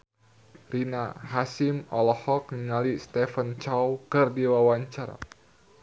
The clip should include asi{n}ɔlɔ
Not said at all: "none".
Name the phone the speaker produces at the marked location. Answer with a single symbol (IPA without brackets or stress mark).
m